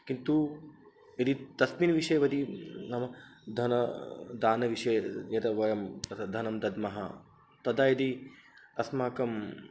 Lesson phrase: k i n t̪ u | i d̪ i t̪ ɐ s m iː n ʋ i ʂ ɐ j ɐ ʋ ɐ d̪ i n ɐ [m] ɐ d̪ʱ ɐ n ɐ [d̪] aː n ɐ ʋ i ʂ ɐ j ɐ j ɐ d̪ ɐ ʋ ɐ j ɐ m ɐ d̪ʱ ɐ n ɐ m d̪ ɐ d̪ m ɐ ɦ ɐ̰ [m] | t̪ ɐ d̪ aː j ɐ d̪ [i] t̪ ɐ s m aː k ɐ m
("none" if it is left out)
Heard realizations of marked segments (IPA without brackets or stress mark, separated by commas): m, d̪, none, i